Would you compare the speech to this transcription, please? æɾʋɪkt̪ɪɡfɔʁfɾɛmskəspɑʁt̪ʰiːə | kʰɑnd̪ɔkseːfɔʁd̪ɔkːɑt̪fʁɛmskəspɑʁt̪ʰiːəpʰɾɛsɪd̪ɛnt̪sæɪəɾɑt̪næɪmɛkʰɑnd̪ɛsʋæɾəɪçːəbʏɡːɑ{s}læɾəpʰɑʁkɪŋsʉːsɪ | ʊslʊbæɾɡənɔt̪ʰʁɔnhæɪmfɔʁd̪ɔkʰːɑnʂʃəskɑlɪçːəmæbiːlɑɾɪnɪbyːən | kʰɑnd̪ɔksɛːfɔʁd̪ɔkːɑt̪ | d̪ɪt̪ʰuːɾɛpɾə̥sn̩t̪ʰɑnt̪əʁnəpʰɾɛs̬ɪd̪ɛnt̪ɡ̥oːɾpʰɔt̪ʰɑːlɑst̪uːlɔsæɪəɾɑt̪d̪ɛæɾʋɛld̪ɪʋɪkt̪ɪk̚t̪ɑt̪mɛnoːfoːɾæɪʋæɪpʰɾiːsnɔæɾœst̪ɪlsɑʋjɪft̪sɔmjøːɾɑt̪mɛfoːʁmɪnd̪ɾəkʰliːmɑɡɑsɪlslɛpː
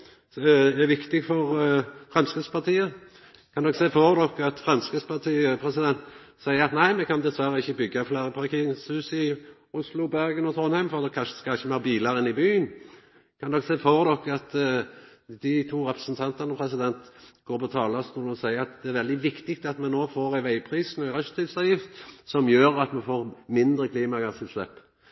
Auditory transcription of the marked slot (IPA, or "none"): f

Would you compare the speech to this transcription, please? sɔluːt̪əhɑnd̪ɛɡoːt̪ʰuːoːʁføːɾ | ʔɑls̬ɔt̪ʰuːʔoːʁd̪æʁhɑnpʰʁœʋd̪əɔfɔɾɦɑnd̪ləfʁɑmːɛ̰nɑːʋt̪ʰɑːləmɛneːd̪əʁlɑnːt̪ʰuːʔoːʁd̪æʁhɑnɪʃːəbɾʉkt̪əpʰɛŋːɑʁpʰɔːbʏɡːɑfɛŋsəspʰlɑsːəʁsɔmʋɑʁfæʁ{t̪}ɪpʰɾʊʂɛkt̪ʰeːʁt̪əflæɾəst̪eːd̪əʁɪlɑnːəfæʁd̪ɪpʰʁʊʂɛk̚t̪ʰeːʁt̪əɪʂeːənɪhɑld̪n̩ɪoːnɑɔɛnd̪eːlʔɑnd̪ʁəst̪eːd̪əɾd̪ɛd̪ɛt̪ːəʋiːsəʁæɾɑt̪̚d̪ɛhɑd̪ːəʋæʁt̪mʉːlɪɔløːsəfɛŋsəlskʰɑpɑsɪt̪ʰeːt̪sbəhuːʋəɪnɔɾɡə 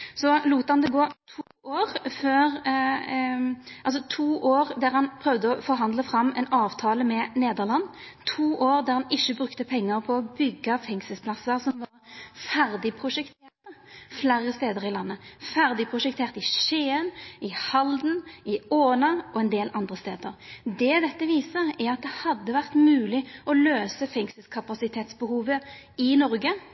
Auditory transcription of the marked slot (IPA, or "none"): d̪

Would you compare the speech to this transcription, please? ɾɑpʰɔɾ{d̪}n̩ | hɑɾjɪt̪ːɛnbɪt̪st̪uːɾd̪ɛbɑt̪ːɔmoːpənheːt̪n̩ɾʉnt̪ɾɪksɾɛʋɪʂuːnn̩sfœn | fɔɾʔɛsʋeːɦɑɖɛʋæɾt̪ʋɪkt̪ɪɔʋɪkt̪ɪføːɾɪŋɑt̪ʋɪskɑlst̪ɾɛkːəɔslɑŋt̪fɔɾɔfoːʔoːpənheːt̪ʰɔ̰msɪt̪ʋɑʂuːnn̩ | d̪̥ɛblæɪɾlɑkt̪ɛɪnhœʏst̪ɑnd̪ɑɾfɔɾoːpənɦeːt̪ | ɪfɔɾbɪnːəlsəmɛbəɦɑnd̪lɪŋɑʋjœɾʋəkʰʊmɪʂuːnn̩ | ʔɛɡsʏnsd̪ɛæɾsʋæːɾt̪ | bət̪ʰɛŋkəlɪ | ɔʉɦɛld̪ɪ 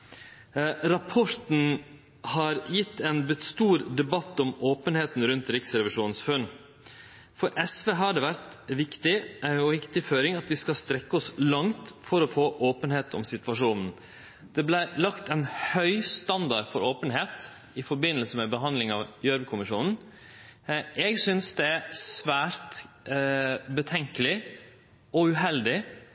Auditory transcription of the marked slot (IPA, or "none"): t̪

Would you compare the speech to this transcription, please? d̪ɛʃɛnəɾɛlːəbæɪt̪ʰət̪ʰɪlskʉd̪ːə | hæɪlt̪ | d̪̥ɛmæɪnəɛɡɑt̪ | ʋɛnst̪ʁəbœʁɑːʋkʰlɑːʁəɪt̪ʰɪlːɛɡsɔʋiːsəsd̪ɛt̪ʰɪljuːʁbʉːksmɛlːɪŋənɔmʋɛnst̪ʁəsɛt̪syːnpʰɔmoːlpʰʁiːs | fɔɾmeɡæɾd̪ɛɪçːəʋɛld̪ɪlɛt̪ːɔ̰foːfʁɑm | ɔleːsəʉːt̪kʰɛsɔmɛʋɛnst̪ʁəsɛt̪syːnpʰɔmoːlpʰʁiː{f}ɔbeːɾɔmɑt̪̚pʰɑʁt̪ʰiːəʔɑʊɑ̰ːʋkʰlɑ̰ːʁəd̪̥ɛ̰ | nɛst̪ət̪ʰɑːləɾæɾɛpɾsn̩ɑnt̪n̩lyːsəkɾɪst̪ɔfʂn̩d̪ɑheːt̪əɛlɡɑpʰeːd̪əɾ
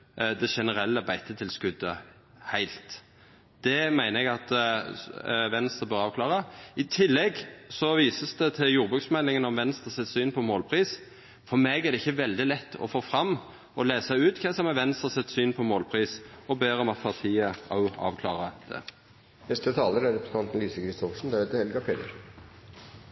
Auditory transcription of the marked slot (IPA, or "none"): s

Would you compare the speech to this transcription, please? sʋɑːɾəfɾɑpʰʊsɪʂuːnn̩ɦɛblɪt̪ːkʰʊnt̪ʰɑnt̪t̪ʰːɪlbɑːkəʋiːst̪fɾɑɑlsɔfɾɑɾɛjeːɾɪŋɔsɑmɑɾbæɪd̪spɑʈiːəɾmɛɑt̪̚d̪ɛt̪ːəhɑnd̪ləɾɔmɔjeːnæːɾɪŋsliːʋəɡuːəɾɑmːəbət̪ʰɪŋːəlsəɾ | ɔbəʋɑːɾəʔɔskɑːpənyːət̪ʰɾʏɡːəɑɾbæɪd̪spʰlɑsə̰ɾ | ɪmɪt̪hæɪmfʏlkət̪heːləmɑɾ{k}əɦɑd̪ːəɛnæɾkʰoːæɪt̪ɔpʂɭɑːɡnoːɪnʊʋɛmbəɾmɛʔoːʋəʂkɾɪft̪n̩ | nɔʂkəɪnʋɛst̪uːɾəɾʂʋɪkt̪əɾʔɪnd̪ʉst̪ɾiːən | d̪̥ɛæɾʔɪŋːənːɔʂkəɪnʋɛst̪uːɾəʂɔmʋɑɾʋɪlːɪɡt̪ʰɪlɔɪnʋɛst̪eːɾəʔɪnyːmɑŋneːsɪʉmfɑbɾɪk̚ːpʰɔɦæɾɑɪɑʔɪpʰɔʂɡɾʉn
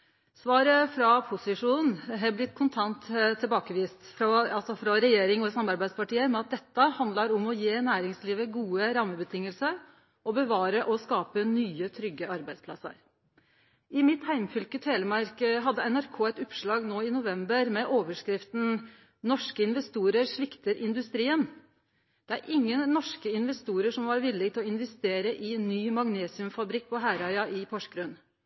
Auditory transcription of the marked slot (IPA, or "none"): k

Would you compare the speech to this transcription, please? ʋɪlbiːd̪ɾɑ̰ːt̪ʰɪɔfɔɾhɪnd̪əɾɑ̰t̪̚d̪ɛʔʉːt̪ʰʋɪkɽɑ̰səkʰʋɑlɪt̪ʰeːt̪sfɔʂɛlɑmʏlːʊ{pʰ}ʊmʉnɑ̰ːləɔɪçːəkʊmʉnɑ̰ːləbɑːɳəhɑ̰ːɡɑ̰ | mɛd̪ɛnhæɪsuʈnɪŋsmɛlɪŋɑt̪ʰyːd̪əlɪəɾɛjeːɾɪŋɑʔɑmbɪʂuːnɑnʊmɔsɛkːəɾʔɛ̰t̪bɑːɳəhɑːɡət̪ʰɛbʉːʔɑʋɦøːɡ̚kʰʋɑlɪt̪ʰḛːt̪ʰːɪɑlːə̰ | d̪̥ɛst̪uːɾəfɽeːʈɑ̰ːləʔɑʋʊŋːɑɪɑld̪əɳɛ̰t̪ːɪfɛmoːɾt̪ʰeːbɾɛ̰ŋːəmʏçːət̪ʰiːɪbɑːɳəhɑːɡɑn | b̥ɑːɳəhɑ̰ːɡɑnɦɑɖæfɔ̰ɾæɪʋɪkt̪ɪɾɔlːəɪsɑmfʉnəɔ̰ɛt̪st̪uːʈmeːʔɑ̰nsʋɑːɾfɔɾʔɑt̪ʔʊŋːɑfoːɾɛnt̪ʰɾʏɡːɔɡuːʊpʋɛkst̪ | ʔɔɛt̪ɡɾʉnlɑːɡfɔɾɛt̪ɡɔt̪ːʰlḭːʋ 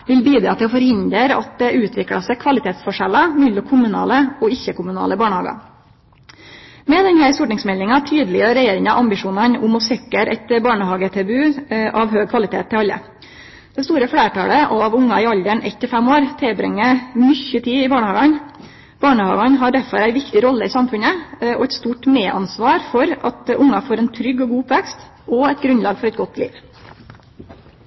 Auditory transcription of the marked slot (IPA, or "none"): kʰ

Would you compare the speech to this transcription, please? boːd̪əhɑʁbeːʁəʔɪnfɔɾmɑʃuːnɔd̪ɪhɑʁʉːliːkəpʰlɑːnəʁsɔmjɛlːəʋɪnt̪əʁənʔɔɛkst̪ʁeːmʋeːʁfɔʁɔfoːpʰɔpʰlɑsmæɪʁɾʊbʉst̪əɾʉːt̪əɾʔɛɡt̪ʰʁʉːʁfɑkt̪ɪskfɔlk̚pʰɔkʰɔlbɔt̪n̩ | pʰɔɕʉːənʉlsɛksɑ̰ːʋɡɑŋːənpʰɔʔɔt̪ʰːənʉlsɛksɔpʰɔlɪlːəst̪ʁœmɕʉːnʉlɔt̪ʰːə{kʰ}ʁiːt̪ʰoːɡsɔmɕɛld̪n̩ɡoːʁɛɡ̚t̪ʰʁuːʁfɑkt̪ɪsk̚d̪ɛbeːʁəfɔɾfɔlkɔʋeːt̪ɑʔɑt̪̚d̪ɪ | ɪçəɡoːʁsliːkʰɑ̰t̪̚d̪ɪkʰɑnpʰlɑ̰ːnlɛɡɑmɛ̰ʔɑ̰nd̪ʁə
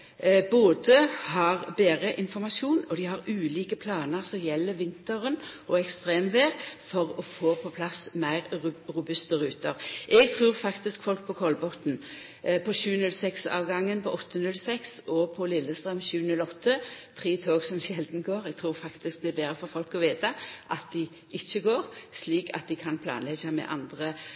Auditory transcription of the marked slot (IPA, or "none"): pʰ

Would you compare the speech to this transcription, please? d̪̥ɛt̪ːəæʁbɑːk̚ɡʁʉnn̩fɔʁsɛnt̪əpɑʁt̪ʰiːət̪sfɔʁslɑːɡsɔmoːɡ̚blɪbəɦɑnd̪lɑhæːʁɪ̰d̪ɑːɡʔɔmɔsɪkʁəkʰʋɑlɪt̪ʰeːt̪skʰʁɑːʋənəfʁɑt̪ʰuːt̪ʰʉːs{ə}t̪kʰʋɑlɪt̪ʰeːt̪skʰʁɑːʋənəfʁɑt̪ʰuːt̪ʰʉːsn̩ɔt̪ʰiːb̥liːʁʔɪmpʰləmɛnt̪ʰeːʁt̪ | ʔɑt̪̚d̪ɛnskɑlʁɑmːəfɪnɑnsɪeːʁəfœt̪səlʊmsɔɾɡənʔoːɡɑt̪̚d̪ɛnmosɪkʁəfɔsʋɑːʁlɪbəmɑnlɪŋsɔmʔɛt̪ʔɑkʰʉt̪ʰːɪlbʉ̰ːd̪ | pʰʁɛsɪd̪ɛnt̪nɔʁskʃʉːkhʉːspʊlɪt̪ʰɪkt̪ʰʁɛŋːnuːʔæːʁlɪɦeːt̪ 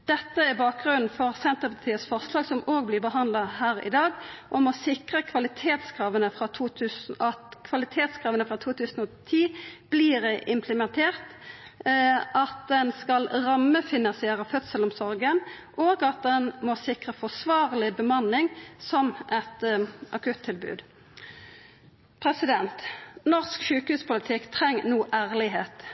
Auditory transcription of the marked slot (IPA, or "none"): ɑ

